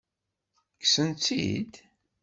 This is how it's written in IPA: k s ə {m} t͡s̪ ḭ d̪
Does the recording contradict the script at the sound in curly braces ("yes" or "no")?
yes